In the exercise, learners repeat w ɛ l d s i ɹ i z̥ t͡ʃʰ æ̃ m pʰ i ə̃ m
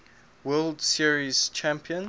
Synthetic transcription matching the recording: w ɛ l d s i ɹ i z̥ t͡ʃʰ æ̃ m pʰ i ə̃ n